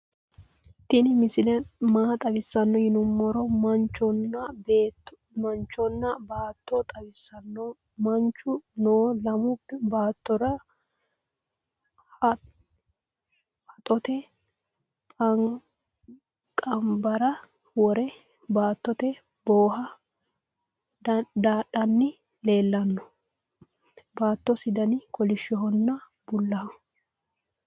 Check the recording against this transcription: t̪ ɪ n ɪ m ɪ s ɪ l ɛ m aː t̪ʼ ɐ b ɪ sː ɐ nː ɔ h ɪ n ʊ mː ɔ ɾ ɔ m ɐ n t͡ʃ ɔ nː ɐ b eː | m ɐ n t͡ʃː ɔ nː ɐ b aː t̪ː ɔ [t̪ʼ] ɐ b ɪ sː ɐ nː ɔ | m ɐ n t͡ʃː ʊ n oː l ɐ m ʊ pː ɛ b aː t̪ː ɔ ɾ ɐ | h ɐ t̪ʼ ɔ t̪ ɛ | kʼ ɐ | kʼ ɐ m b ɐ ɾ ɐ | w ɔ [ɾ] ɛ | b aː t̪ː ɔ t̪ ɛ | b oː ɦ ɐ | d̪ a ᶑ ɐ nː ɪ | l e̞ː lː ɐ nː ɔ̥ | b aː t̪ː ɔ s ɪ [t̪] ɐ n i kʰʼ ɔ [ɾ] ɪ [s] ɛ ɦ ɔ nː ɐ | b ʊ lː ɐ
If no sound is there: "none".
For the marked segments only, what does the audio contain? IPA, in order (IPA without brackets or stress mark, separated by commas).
t̪ʼ, ɾ, d̪, l, ʃ